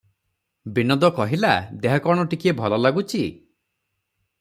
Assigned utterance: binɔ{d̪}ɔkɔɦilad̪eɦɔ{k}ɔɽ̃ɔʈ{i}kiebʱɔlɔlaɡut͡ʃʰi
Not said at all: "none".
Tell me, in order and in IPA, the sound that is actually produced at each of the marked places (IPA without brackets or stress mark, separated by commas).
d̪, k, i